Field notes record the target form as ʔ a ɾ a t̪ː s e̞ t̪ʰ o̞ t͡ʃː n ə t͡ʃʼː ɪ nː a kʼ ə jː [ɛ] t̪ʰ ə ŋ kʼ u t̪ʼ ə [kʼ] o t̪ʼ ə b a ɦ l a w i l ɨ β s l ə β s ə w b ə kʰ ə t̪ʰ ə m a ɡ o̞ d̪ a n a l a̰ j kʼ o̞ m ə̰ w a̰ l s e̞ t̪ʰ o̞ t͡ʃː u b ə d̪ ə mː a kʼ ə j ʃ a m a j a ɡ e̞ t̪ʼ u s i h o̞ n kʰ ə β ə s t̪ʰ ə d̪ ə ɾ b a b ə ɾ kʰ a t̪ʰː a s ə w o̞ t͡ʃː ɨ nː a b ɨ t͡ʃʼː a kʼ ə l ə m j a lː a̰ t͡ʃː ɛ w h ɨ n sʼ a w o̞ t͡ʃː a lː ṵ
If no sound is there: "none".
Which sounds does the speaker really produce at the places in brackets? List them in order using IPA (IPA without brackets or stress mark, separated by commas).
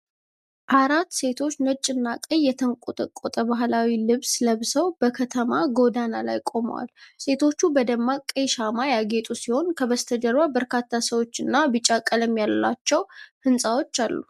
ɛ, kʼ